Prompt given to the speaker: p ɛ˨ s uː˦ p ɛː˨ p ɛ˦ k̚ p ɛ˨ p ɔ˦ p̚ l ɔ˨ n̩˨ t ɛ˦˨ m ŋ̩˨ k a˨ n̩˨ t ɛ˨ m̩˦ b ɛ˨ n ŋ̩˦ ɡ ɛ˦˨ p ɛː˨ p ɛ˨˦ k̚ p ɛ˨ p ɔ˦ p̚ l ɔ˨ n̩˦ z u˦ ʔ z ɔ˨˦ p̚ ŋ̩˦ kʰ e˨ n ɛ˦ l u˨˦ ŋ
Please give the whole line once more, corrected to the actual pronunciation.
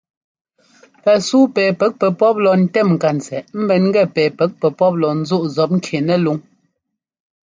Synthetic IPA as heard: p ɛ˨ s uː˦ p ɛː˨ p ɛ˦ k̚ p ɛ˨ p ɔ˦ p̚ l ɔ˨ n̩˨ t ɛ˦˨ m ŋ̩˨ k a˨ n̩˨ t͡s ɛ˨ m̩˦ b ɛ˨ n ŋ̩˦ ɡ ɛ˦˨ p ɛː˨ p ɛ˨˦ k̚ p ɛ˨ p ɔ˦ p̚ l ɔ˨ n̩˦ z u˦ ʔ z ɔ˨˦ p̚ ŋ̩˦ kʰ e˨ n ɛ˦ l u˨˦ ŋ